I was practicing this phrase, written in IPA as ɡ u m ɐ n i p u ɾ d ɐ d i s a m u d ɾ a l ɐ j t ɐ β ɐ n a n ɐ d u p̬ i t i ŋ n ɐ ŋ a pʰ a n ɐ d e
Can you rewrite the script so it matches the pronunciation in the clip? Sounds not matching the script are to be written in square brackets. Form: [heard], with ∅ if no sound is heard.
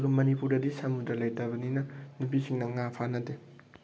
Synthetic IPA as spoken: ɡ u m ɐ n i p u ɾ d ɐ d i s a m u d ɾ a l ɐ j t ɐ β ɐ n [i] n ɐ [n] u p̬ i [s] i ŋ n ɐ ŋ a pʰ a n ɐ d e